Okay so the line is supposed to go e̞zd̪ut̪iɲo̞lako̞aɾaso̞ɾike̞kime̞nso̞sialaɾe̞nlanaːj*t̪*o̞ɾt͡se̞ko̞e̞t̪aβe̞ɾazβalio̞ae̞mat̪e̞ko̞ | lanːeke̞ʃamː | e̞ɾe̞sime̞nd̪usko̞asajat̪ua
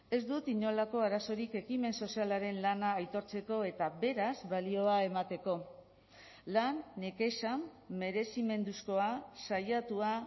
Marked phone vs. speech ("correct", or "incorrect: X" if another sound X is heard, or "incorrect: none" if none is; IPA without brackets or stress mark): correct